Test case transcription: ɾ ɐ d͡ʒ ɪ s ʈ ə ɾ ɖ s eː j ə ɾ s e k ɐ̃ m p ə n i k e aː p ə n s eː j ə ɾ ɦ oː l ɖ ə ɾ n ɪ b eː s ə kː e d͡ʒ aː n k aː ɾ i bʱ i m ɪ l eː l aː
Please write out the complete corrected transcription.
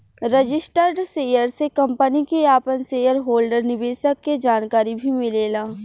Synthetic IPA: ɾ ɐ d͡ʒ ɪ s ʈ ə ɾ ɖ s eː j ə ɾ s e k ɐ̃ m p ə n i k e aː p ə n s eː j ə ɾ ɦ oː l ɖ ə ɾ n ɪ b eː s ə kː e d͡ʒ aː n k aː ɾ i bʱ i m ɪ l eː l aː